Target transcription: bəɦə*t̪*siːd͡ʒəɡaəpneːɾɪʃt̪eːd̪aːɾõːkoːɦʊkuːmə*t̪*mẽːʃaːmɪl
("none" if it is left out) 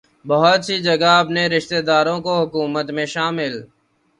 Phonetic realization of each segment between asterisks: t̪, t̪

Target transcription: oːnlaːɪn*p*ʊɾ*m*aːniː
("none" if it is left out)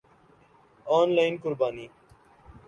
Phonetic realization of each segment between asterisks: k, b

